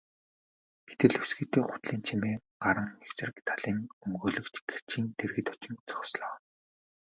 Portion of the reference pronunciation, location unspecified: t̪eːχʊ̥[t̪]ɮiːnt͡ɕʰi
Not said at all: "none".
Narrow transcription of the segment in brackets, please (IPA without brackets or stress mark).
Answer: t̪